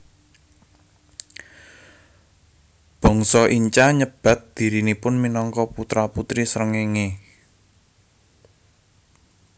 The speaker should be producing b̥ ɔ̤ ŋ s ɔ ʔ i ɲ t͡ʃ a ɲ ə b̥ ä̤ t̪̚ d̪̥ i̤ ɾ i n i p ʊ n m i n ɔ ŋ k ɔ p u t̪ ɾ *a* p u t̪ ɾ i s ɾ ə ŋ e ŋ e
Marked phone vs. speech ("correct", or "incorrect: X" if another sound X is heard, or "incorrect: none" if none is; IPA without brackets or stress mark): correct